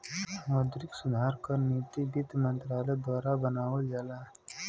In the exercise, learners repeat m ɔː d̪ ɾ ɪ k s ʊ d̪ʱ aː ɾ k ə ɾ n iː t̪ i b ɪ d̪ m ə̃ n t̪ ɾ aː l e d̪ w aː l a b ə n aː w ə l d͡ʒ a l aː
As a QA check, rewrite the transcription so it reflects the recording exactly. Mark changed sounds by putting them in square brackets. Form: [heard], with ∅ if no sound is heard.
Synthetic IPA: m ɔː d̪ ɾ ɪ k s ʊ d̪ʱ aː ɾ k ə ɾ n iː t̪ i b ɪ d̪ m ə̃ n t̪ ɾ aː l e d̪ w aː [ɾ] a b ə n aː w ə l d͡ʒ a l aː